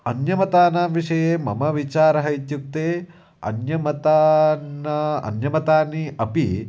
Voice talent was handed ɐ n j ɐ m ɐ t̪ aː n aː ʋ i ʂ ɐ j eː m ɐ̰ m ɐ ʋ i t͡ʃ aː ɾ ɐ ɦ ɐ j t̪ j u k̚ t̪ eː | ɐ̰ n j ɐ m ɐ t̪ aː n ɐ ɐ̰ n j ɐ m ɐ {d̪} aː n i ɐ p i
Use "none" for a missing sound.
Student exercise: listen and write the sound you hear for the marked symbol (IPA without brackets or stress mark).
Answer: t̪